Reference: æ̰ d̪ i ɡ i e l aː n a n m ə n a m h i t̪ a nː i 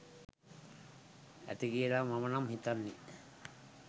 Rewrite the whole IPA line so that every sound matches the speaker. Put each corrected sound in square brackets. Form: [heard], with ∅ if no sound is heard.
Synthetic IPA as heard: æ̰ [t̪] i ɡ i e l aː [m] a [∅] m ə n a m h i t̪ a nː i